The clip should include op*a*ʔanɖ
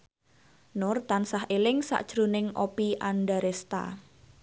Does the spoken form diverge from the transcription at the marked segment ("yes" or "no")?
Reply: yes